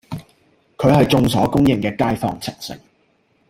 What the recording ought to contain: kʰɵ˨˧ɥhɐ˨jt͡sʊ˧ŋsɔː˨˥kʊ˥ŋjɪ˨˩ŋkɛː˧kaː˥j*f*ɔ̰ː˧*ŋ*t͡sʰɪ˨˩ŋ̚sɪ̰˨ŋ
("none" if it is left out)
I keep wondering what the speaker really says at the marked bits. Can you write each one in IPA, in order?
f, ŋ

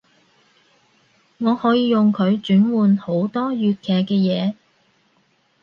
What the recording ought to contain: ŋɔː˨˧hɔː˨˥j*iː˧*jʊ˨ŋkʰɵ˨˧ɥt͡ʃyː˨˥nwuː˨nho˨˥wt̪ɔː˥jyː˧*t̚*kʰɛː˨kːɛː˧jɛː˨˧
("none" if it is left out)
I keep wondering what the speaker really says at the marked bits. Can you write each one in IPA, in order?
iː˧, t̚

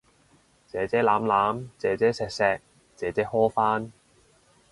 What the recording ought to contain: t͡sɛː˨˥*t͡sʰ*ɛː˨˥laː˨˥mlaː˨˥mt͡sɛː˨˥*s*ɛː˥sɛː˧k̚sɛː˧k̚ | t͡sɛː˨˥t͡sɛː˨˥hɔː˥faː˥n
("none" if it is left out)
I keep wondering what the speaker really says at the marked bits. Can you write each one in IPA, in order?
t͡s, t͡s

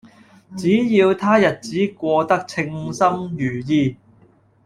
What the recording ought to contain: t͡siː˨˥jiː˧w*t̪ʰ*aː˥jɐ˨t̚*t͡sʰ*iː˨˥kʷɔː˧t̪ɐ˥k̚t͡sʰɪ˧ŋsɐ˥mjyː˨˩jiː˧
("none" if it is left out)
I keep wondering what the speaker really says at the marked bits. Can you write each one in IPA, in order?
t̪ʰ, t͡s

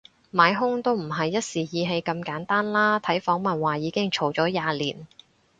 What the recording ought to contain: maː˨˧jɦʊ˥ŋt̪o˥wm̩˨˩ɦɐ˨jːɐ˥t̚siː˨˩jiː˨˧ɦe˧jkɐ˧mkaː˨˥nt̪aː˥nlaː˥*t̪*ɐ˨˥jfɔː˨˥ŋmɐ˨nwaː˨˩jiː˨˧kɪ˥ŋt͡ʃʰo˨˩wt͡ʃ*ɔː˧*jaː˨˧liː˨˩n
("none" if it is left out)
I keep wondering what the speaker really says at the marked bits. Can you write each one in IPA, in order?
t̪ʰ, ɔː˨˥

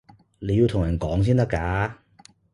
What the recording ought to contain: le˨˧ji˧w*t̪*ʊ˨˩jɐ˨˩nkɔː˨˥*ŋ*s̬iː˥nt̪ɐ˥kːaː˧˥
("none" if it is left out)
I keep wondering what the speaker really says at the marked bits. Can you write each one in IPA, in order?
t̪ʰ, ŋ

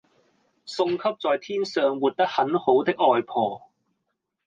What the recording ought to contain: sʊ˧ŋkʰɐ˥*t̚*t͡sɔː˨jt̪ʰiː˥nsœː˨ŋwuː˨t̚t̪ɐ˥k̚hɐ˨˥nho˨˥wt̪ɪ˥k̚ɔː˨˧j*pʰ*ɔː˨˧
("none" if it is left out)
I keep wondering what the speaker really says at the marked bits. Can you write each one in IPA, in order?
p̚, pʰ

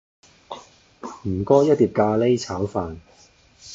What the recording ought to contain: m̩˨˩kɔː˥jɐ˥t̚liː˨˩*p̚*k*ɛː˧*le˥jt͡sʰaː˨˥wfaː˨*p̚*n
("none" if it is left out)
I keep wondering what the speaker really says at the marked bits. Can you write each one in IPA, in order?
p̚, aː˧, none

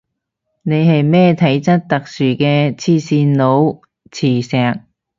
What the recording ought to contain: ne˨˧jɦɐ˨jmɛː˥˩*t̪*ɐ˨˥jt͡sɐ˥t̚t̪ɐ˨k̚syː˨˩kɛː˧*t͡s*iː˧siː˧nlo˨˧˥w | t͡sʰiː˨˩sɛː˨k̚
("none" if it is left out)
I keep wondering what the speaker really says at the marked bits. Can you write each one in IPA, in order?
t̪ʰ, t͡sʰ

